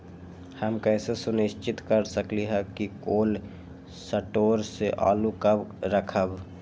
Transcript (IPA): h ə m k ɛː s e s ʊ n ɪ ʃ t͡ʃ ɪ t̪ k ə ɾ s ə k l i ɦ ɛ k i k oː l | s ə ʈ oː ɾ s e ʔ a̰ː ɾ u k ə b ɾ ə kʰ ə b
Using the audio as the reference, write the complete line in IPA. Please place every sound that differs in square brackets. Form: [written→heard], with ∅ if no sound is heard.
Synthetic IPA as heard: h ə m k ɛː s e s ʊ n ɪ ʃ t͡ʃ ɪ t̪ k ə ɾ s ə k l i ɦ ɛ k i k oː l | s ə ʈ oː ɾ s e ʔ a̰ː [ɾ→l] u k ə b ɾ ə kʰ ə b